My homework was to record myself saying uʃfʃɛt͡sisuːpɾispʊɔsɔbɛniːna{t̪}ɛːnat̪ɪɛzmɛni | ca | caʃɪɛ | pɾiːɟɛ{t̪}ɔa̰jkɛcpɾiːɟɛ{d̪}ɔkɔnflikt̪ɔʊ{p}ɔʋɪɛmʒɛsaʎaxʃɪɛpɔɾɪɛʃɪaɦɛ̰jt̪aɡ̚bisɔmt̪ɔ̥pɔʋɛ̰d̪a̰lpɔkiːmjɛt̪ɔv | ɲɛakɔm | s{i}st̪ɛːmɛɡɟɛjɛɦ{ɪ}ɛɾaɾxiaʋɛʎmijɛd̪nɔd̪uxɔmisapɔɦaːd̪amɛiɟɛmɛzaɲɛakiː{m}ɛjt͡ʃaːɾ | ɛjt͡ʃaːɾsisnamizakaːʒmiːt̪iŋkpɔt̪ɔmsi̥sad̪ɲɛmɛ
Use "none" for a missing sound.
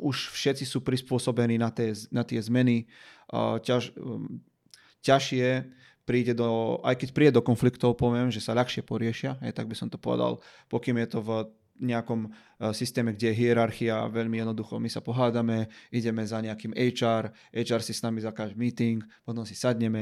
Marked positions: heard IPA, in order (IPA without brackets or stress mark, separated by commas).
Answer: t̪, d̪, d̪, p, i, i, m